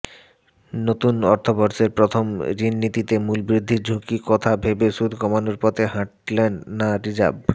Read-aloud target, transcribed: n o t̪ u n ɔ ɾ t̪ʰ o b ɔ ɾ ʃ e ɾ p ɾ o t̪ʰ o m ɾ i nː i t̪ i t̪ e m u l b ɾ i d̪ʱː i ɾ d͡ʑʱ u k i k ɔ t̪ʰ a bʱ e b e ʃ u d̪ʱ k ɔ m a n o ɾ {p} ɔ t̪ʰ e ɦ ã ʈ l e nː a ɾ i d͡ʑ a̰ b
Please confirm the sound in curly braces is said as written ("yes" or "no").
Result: yes